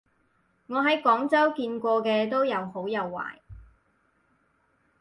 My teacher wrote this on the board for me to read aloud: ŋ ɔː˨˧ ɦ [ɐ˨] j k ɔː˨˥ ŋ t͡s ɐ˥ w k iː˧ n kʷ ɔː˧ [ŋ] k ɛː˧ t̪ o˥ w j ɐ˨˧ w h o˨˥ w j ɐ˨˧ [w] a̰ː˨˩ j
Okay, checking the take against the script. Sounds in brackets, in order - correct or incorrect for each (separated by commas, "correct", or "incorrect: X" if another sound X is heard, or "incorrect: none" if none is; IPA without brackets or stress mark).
incorrect: ɐ˨˥, incorrect: none, incorrect: wː